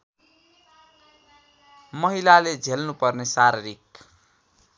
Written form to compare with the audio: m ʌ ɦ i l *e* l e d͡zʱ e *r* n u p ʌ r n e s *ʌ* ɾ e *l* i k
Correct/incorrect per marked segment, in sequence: incorrect, incorrect, incorrect, incorrect

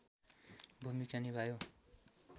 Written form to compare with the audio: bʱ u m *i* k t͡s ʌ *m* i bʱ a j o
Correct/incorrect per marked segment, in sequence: correct, incorrect

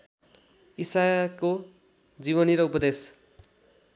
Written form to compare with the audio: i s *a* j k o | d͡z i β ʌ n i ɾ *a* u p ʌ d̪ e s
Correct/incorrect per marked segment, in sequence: correct, incorrect

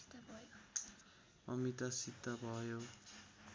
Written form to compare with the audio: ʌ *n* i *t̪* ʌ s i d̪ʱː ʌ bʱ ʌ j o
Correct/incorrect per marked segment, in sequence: incorrect, correct

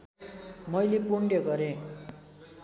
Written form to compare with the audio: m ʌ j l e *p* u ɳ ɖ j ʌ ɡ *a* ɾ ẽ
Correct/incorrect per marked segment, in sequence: correct, incorrect

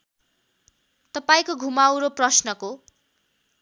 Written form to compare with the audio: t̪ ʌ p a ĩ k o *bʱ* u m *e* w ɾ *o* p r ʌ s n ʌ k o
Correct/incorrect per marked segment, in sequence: incorrect, incorrect, correct

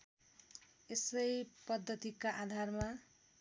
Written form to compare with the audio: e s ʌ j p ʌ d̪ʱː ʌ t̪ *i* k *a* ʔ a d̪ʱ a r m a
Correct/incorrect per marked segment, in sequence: correct, correct

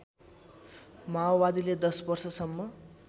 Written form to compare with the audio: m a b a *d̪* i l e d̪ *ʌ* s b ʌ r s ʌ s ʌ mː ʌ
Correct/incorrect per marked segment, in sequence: correct, correct

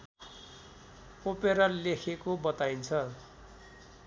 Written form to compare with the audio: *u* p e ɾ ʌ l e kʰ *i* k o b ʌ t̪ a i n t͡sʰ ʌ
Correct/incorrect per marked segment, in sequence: incorrect, incorrect

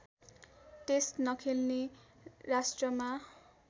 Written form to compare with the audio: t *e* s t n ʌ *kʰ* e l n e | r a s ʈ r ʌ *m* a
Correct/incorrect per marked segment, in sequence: correct, correct, correct

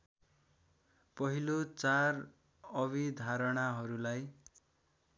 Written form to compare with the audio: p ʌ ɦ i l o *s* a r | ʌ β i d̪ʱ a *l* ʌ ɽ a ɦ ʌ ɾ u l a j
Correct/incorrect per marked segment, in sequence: incorrect, incorrect

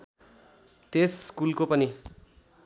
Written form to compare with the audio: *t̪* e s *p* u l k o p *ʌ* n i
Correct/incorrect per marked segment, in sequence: correct, incorrect, correct

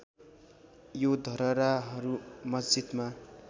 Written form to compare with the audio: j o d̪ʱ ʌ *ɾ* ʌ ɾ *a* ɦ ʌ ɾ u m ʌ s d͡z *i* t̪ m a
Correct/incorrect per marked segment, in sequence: correct, correct, correct

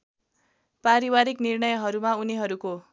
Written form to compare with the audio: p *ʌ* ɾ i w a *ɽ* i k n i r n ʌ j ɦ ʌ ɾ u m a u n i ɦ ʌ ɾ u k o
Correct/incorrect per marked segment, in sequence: incorrect, incorrect

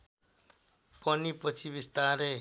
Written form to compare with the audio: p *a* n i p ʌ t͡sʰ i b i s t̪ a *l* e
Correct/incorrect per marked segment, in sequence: incorrect, incorrect

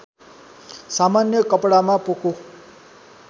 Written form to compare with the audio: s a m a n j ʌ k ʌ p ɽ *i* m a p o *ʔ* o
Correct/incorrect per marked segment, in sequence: incorrect, incorrect

